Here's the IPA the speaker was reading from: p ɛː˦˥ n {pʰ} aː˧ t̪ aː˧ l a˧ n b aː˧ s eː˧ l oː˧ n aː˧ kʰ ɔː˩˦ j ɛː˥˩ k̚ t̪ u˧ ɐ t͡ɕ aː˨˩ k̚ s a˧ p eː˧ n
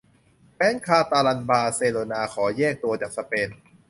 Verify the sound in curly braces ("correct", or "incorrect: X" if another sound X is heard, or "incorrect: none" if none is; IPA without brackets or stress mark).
incorrect: kʰ